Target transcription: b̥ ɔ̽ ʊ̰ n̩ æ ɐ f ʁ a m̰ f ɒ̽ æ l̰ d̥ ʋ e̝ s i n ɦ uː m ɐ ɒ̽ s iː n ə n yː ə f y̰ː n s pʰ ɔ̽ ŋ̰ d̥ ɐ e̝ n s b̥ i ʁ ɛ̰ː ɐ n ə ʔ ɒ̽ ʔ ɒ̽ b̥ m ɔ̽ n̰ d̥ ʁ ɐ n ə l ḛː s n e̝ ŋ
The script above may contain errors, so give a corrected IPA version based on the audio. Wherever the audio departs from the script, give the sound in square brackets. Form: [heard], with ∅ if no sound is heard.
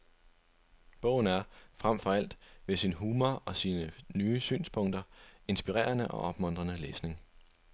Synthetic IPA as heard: b̥ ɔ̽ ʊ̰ n̩ æ ɐ f ʁ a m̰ f ɒ̽ æ l̰ d̥ ʋ e̝ s i n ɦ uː m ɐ ɒ̽ s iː n ə n yː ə [s] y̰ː n s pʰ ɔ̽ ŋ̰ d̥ ɐ e̝ n s b̥ i ʁ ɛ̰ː ɐ n ə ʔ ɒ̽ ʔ ɒ̽ b̥ m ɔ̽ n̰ d̥ ʁ ɐ n ə l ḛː s n e̝ ŋ